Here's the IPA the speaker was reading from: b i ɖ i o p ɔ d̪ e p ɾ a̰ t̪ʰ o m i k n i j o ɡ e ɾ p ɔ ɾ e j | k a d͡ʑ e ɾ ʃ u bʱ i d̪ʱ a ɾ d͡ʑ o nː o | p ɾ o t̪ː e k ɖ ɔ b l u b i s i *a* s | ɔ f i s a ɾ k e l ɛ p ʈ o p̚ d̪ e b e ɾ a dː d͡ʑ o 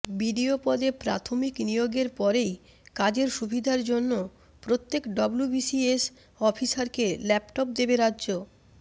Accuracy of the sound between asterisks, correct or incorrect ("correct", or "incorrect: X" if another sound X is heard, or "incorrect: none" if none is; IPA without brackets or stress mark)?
incorrect: e